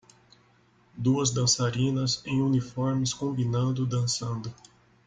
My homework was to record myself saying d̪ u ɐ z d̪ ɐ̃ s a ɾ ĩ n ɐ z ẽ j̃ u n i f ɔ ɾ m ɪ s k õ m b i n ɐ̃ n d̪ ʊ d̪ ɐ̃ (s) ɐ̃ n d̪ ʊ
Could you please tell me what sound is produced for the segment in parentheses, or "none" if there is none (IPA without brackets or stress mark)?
s